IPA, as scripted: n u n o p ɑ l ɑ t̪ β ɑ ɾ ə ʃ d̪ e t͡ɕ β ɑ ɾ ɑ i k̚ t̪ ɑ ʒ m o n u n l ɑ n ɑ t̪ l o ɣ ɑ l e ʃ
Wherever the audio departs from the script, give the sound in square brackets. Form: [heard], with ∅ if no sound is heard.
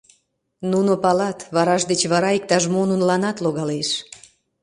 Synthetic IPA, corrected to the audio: n u n o p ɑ l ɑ t̪ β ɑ ɾ [ɑ] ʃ d̪ e t͡ɕ β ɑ ɾ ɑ i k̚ t̪ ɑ ʒ m o n u n l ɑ n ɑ t̪ l o ɣ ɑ l e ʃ